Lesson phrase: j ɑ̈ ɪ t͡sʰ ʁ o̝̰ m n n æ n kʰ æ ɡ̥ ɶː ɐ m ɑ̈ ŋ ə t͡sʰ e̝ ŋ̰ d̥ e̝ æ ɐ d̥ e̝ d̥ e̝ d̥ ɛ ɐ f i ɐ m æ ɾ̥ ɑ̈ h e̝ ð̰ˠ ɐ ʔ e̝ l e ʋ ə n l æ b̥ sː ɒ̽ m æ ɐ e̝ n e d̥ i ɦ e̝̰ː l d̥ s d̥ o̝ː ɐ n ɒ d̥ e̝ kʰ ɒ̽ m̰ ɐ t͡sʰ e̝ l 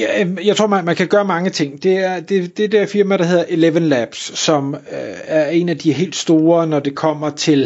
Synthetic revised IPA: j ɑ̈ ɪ t͡sʰ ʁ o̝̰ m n m æ n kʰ æ ɡ̥ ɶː ɐ m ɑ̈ ŋ ə t͡sʰ e̝ ŋ̰ d̥ e̝ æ ɐ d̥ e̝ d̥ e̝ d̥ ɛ ɐ f i ɐ m æ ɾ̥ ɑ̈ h e̝ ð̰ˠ ɐ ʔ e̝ l e ʋ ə n l æ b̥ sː ɒ̽ m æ ɐ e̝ n æ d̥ i ɦ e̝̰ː l d̥ s d̥ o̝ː ɐ n ɒ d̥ e̝ kʰ ɒ̽ m̰ ɐ t͡sʰ e̝ l